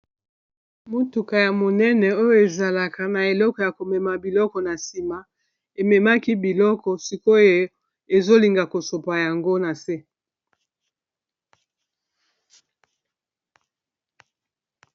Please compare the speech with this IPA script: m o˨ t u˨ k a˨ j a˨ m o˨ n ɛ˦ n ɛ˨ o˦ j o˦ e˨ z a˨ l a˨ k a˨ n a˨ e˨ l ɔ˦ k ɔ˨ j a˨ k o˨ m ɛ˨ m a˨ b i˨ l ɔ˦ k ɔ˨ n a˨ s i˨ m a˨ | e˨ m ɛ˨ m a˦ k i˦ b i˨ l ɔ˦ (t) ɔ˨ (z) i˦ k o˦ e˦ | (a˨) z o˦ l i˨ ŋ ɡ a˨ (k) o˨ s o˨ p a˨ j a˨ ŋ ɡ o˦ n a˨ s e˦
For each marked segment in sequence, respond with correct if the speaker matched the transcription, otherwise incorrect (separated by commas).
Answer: incorrect, incorrect, incorrect, correct